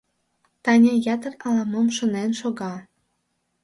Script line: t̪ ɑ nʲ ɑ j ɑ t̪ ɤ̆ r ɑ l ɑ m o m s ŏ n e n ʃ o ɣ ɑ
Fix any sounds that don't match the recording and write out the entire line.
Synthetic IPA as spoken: t̪ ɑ nʲ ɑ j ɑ t̪ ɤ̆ r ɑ l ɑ m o m ʃ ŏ n e n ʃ o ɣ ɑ

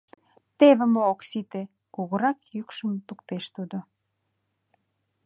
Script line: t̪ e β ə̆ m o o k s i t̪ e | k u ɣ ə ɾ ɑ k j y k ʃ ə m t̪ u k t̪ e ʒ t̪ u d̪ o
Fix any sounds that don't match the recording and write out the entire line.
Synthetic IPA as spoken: t̪ e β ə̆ m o o k s i t̪ e | k u ɣ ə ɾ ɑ k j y k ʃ ə m t̪ u k t̪ e ʃ t̪ u d̪ o

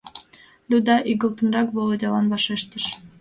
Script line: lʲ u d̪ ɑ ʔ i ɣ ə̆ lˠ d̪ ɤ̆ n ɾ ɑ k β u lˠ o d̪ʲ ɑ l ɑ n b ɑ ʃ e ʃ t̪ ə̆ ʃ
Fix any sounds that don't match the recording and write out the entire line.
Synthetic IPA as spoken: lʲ u d̪ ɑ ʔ i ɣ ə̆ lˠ t̪ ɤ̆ n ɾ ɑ k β o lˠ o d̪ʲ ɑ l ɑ n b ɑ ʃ e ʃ t̪ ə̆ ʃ

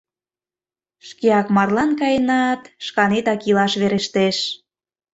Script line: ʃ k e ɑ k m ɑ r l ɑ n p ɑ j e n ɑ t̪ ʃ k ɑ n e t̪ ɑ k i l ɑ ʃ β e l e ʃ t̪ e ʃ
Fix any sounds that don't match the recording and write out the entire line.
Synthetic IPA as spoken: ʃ k e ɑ k m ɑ r l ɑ n k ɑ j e n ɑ t̪ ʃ k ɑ n e t̪ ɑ k i l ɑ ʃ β e ɾ e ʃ t̪ e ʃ

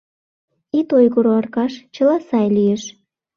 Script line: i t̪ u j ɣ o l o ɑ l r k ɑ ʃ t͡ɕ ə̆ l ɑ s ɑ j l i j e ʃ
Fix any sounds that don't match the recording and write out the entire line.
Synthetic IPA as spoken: i t̪ o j ɣ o ɾ o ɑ r k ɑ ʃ t͡ɕ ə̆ l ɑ s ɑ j l i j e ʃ

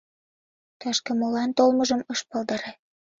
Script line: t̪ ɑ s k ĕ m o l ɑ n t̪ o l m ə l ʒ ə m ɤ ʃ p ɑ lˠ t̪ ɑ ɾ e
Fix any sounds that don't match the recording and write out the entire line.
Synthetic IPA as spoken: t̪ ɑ ʃ k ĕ m o l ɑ n t̪ o l m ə ʒ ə m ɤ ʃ p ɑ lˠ d̪ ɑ ɾ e

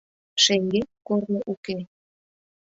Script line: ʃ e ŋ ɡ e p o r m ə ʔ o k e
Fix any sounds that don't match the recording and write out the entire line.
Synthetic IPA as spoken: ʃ e ŋ ɡ e k o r n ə ʔ u k e

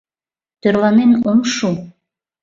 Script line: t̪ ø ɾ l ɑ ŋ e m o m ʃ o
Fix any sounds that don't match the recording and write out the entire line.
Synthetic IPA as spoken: t̪ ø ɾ l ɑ n e n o m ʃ u

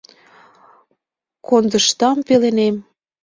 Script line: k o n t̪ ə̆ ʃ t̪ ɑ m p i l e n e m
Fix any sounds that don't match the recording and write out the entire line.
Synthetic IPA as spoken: k o n d̪ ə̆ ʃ t̪ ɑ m p e l e n e m

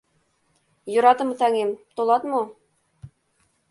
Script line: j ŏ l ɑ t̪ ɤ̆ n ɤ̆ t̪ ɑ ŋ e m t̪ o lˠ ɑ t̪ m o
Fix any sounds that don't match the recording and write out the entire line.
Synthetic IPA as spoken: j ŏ ɾ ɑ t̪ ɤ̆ m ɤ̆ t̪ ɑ ŋ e m t̪ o lˠ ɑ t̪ m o

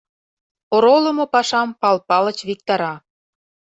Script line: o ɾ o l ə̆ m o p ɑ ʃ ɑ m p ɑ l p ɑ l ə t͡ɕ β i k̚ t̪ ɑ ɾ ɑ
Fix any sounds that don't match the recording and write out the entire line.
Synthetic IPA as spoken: o ɾ o l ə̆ m o p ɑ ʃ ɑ m p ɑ l p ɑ l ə t͡ɕ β i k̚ t̪ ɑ ɾ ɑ

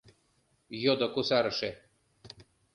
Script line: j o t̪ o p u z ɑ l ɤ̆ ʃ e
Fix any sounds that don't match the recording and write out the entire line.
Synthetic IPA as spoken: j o d̪ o k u s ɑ ɾ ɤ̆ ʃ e

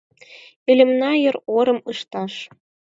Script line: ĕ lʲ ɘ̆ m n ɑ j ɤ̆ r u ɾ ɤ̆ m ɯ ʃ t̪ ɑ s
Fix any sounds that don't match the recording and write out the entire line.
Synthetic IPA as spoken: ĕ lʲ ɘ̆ m n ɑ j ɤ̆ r o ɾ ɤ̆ m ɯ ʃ t̪ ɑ ʃ

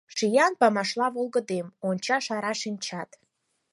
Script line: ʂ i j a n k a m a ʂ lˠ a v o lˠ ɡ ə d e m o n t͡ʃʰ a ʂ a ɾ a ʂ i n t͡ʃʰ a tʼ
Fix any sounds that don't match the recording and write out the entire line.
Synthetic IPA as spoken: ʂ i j a n p a m a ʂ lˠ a v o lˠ ɡ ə d e m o n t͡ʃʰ a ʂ a ɾ a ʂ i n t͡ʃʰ a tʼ

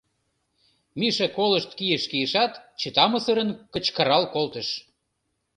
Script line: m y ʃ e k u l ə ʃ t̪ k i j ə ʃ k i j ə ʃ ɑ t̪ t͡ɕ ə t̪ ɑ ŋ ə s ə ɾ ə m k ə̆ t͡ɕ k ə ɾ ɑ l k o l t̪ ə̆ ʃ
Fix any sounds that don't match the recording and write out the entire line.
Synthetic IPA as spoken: m i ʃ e k o l ə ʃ t̪ k i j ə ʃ k i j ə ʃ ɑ t̪ t͡ɕ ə t̪ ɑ m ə s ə ɾ ə n k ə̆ t͡ɕ k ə ɾ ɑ l k o l t̪ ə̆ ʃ

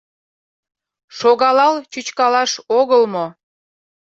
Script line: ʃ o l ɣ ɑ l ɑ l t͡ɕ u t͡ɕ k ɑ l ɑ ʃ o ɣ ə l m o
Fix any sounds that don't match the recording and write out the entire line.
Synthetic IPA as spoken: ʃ o ɣ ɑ l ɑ l t͡ɕ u t͡ɕ k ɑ l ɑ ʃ o ɣ ə l m o

